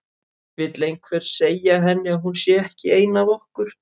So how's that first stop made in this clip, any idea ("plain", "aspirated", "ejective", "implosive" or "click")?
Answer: plain